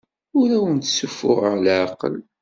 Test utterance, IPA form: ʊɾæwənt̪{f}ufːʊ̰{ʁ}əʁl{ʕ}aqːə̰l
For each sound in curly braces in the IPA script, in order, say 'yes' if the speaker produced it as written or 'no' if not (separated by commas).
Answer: no, yes, yes